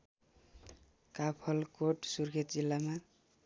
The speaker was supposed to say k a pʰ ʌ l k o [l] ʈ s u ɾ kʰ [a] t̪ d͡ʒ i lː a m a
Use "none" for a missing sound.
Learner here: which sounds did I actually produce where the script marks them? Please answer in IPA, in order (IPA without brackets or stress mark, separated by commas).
none, e